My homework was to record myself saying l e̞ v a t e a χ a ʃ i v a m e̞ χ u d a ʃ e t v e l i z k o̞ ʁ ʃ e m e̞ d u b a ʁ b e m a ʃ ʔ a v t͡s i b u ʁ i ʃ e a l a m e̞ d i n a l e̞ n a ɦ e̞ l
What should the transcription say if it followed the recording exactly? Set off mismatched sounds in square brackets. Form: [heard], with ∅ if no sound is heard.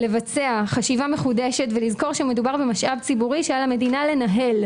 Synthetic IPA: l e̞ v a [t͡s] e a χ a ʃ i v a m e̞ χ u d [e] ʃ e t v e l i z k o̞ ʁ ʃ e m e̞ d u b a ʁ b e m a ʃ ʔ a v t͡s i b u ʁ i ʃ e a l a m e̞ d i n a l e̞ n a ɦ e̞ l

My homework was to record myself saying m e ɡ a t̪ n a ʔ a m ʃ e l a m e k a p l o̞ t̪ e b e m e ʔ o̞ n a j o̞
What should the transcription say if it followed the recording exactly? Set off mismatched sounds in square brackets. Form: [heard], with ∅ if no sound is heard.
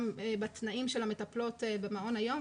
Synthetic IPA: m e [b] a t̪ n a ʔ [i] m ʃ e l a m e [t] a p l o̞ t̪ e b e m [a] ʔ o̞ n a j o̞

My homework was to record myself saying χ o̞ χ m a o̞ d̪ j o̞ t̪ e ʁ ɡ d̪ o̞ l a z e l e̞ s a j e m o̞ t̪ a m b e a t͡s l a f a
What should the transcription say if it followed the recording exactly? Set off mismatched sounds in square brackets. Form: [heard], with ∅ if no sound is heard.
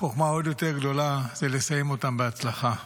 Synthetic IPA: χ o̞ χ m a o̞ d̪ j o̞ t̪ e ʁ ɡ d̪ o̞ l a z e l e̞ s a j e m o̞ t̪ a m b e a t͡s l a [χ] a

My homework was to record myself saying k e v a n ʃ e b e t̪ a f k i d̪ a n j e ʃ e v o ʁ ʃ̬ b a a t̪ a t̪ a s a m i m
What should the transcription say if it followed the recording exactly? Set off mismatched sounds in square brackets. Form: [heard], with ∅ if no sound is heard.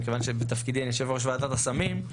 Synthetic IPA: k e v a n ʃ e b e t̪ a f k i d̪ [i] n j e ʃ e v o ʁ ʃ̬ [v] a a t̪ a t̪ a s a m i m

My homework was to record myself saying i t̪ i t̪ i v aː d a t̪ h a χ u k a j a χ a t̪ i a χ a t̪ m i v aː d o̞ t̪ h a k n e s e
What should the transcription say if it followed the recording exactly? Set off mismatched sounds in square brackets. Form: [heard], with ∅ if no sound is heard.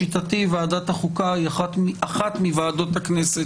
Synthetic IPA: i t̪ [a] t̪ i v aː d a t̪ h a χ u k a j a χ a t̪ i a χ a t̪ m i v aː d o̞ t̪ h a k n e s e

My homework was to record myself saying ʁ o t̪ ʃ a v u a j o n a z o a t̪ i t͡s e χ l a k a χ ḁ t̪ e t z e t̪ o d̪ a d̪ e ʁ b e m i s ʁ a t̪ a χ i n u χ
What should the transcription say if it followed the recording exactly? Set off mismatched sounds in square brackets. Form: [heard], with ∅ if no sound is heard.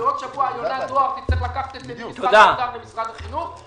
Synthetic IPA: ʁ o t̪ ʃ a v u a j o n a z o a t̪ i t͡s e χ l a k a χ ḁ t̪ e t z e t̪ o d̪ a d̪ [a] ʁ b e m i s ʁ a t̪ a χ i n u χ

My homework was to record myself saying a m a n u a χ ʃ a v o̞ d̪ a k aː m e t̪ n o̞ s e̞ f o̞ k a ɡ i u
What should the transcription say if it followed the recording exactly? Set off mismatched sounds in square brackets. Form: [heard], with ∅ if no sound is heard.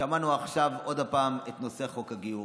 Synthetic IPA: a m a n u a χ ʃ a v o̞ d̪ a [p] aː m e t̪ n o̞ s e̞ [χ] o̞ k a ɡ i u

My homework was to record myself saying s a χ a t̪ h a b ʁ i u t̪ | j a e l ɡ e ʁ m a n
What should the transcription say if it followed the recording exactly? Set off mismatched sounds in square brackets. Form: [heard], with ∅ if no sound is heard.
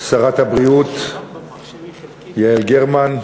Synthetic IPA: s a [ʁ] a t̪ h a b ʁ i u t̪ | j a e l ɡ e ʁ m a n

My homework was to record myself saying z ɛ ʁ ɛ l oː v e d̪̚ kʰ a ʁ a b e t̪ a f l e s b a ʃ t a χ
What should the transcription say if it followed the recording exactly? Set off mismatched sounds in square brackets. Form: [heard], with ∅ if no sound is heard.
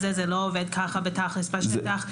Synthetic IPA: z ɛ [z] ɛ l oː v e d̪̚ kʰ a [χ] a b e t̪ a [χ] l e s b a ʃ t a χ

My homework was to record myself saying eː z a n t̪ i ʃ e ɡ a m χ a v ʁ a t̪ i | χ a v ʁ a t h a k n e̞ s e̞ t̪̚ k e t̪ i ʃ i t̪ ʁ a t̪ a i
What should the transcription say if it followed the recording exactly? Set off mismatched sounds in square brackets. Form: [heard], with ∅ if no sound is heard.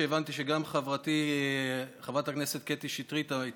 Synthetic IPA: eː [v] a n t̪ i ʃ e ɡ a m χ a v ʁ a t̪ i | χ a v ʁ a t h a k n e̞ s e̞ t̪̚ k e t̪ i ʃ i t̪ ʁ [i] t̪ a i

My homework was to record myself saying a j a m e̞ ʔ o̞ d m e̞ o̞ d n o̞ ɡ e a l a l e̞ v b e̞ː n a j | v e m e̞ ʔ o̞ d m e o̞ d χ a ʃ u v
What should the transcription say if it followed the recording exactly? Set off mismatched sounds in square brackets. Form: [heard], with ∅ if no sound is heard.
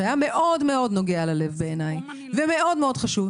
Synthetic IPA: a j a m e̞ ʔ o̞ d m e̞ o̞ d n o̞ ɡ e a l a l e̞ v b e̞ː n a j | v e m e̞ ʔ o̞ d m e o̞ d χ a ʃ u v

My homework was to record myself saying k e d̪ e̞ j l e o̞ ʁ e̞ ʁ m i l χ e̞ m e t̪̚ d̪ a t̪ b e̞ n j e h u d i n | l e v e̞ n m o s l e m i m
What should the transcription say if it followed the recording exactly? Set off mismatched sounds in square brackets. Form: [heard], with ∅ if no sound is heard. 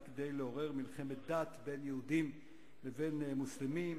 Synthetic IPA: k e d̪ e̞ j l e o̞ ʁ e̞ ʁ m i l χ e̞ m e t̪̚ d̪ a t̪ b e̞ n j e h u d i [m] | l e v e̞ n m [u] s l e m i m

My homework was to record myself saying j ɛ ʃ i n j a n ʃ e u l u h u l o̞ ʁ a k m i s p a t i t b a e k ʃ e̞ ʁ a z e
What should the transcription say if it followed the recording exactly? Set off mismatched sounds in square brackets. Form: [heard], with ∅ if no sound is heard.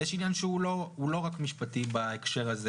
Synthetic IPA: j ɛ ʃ i n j a n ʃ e u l [o] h u l o̞ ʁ a k m i [ʃ] p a t i [∅] b a e k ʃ e̞ ʁ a z e

